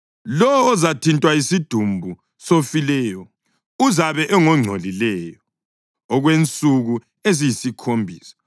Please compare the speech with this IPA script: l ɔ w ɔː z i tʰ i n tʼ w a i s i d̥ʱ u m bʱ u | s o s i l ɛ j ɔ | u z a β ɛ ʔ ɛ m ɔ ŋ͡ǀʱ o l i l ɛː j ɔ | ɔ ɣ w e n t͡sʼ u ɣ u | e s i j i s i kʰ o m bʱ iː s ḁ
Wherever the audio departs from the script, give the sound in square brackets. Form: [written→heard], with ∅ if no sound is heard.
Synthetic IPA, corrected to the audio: l ɔ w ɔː z [i→a] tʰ i n tʼ w a i s i d̥ʱ u m bʱ u | s o [s→f] i l ɛ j ɔ | u z a β ɛ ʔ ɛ [m→ŋ] ɔ ŋ͡ǀʱ o l i l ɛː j ɔ | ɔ ɣ w e n t͡sʼ u ɣ u | e [s→z] i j i s i kʰ o m bʱ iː s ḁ